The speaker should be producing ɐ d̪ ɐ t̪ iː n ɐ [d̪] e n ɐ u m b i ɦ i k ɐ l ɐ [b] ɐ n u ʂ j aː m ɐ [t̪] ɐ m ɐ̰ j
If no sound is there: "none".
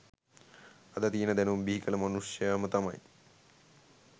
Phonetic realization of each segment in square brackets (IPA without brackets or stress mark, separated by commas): d̪, m, t̪